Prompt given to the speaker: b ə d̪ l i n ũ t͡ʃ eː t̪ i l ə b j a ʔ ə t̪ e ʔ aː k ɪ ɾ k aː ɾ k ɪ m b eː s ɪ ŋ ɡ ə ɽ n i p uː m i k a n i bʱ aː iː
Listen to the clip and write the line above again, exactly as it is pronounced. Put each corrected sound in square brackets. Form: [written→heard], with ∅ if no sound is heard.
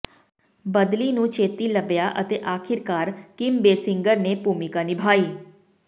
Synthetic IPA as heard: b ə d̪ l i n ũ t͡ʃ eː t̪ i l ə b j a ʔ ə t̪ e ʔ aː [k→kʰ] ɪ ɾ k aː ɾ k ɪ m b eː s ɪ ŋ ɡ ə [ɽ→ɾ] n [i→e] p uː m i k a n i bʱ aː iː